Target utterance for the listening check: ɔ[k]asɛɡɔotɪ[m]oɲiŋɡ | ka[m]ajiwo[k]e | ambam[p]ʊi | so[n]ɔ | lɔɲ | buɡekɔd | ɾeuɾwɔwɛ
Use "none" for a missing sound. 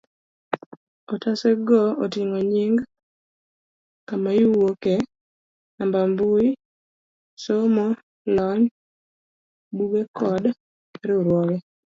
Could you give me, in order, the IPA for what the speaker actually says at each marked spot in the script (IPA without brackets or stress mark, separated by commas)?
t, ŋ, m, k, b, m